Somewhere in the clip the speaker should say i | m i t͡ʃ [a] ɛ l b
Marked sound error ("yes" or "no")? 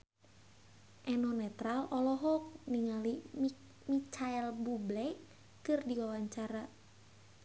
no